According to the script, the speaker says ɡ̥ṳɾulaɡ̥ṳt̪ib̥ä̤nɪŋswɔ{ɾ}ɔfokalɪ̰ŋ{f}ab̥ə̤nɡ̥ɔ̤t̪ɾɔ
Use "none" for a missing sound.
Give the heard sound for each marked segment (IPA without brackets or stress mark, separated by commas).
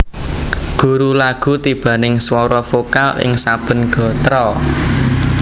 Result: ɾ, s